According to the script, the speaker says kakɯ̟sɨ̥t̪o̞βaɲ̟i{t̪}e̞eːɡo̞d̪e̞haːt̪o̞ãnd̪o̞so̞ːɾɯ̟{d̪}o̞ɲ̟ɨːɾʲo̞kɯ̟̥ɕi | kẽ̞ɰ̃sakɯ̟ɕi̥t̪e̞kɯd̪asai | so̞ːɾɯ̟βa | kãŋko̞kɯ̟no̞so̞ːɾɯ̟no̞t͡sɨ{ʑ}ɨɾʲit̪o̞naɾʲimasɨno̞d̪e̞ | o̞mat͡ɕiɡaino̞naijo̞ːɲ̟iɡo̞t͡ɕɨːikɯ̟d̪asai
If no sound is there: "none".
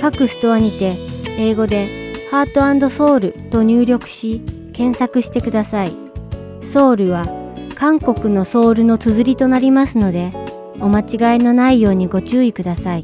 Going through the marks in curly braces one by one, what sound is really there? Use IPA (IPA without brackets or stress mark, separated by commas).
t̪, t̪, z